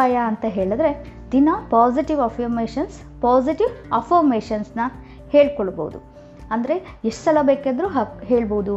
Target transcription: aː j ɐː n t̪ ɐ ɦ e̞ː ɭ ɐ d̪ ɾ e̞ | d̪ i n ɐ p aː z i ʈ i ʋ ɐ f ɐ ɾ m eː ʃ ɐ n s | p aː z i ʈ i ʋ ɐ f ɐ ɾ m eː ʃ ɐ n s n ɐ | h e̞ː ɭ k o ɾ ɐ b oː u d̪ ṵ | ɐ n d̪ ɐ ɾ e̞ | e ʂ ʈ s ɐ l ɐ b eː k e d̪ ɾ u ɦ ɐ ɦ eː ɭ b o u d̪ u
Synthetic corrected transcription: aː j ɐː n t̪ ɐ ɦ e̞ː ɭ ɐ d̪ ɾ e̞ | d̪ i n ɐ p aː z i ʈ i ʋ ɐ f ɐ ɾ m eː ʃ ɐ n s | p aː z i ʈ i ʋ ɐ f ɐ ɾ m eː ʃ ɐ n s n ɐ | h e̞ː ɭ k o ɭ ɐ b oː u d̪ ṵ | ɐ n d̪ ɐ ɾ e̞ | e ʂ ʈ s ɐ l ɐ b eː k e d̪ ɾ u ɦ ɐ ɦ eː ɭ b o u d̪ u